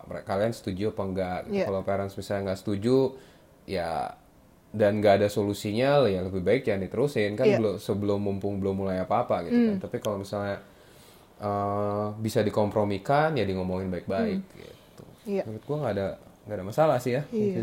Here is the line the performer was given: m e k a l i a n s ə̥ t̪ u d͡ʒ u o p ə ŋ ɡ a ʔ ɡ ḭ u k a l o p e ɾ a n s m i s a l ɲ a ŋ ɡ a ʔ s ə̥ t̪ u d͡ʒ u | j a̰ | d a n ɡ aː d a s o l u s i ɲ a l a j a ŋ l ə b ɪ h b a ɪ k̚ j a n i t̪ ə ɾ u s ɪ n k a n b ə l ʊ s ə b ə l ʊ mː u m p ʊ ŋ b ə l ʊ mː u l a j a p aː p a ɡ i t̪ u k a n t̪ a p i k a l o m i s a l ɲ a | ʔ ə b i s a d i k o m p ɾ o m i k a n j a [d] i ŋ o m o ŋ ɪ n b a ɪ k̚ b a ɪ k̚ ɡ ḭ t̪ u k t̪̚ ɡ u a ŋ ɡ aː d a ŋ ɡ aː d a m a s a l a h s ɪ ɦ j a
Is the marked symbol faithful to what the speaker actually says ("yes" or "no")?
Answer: yes